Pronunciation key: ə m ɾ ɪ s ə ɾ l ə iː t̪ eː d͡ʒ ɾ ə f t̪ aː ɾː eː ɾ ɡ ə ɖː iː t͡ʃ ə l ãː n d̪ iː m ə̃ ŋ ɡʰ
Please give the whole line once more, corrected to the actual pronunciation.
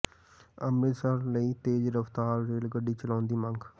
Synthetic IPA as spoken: ə m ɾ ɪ s ə ɾ l ə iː t̪ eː d͡ʒ ɾ ə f t̪ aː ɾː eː l ɡ ə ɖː iː t͡ʃ ə l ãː n d̪ iː m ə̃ ŋ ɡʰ